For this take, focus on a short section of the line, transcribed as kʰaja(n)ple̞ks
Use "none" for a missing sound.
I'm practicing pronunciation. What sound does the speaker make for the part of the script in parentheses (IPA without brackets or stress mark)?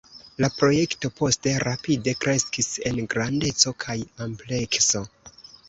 m